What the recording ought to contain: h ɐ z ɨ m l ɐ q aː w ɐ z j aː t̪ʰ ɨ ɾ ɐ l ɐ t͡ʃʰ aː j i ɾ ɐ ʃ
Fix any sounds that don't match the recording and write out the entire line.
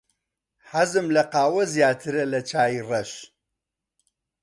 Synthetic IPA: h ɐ z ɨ m l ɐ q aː w ɐ z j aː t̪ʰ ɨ ɾ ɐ l ɐ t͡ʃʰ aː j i r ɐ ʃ